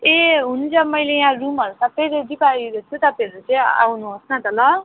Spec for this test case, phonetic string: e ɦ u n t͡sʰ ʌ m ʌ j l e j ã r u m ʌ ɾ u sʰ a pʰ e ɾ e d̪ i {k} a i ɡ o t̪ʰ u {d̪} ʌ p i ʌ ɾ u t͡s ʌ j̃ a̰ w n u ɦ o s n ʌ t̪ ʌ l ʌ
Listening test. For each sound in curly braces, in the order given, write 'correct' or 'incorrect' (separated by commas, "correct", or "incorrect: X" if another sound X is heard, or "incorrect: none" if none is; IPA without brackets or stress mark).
incorrect: p, incorrect: t̪